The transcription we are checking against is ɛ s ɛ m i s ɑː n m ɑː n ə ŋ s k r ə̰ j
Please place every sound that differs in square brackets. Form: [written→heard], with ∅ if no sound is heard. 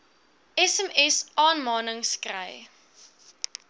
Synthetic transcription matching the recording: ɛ s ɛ m [i→ɛ] s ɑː n m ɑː n ə ŋ s k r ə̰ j